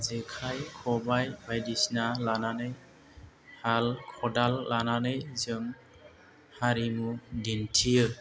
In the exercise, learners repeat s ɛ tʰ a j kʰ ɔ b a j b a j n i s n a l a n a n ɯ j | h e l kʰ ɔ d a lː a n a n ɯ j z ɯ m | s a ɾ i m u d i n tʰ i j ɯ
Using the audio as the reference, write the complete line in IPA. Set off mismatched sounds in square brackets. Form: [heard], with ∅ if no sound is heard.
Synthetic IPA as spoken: [z] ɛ [kʰ] a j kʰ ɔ b a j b a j [d] i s n a l a n a n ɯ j | h [a] l kʰ ɔ d a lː a n a n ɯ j z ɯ m | [h] a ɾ i m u d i n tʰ i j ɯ